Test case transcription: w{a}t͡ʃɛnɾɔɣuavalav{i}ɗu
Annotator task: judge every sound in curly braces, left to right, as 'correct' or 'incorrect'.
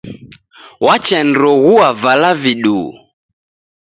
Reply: correct, correct

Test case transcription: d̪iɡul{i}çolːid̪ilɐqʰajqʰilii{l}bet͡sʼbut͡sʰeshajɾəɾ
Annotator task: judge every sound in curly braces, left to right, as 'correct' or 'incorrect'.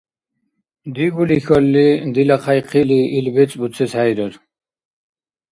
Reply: correct, correct

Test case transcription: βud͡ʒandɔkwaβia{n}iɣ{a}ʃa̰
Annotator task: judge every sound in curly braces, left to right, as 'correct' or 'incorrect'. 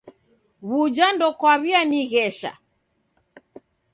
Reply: correct, incorrect: ɛ

